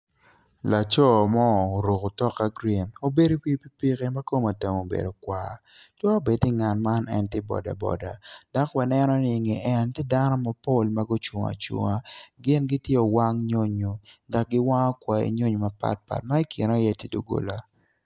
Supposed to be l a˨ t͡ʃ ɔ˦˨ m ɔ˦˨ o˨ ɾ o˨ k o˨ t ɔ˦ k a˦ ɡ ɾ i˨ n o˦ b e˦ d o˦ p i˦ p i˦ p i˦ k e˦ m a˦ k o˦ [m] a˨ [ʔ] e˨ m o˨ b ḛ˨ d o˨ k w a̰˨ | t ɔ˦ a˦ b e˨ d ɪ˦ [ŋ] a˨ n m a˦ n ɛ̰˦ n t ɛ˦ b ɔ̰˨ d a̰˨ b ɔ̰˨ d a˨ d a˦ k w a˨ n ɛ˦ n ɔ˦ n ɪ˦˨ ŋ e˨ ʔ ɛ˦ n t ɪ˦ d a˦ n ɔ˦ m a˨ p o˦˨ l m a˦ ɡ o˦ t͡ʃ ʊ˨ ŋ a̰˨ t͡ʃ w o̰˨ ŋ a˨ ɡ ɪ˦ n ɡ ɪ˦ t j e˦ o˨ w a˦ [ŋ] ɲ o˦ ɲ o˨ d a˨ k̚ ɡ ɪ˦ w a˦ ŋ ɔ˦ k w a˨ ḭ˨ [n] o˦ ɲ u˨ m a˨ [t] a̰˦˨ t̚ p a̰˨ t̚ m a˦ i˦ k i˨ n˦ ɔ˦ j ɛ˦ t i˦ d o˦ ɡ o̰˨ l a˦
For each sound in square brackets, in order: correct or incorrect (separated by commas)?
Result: correct, incorrect, correct, correct, incorrect, incorrect